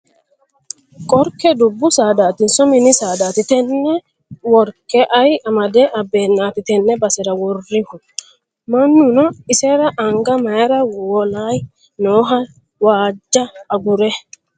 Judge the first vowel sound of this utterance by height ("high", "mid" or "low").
mid